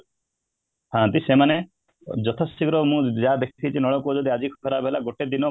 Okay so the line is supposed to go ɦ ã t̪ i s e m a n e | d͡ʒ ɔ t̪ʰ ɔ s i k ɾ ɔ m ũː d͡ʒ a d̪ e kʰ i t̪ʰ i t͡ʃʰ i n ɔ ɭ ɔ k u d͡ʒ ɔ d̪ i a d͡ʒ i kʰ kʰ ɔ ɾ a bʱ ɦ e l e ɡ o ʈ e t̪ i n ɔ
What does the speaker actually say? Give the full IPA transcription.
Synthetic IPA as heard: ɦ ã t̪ i s e m a n e | d͡ʒ ɔ t̪ʰ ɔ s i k ɾ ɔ m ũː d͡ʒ a d̪ e kʰ i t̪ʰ i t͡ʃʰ i n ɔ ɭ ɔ k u d͡ʒ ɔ d̪ i a d͡ʒ i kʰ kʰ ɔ ɾ a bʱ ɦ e l a ɡ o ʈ e d̪ i n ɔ